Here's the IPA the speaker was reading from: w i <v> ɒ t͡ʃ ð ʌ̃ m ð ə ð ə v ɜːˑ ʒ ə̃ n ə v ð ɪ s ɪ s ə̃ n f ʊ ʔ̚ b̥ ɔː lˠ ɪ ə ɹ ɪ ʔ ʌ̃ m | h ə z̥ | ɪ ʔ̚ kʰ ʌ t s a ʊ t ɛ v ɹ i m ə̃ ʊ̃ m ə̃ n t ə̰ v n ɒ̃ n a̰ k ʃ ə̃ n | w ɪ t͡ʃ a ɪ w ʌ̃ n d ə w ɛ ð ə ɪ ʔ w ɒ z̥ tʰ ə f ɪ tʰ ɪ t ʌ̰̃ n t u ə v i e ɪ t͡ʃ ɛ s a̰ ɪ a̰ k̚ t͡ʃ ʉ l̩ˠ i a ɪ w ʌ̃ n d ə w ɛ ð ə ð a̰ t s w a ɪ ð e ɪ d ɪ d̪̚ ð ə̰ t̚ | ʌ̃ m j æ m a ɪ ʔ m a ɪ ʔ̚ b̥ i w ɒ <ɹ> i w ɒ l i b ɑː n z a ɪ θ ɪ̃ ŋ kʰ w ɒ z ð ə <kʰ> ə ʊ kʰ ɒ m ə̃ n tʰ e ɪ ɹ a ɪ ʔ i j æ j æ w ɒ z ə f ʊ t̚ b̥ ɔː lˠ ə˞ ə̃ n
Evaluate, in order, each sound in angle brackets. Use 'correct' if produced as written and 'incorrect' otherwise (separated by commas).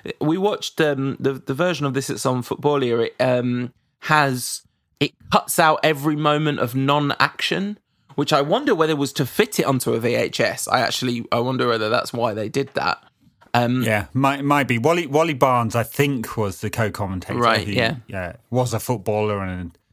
incorrect, incorrect, correct